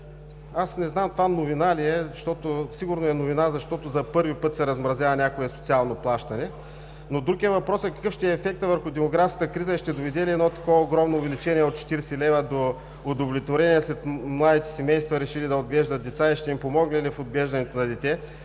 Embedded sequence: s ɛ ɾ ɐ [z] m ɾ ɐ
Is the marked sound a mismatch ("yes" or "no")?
no